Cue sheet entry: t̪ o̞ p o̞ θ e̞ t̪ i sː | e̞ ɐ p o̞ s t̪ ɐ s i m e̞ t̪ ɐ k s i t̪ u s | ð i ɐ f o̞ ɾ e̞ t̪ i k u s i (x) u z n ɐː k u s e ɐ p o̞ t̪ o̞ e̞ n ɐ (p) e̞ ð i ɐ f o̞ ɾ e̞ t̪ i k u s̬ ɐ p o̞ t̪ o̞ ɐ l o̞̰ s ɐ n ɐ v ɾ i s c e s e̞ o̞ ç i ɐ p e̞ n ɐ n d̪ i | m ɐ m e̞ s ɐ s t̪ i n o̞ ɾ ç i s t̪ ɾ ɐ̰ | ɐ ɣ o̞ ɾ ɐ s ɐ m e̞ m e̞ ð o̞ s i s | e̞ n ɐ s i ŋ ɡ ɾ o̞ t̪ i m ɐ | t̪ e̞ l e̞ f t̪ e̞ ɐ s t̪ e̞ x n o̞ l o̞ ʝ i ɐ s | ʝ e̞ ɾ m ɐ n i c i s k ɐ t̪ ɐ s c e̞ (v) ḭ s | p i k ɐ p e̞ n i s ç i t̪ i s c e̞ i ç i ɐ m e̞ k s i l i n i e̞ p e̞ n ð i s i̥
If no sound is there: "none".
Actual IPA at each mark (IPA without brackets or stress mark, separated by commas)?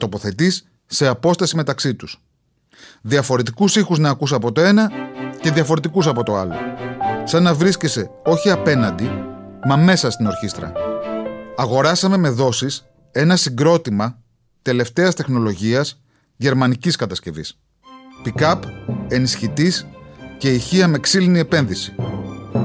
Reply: x, c, v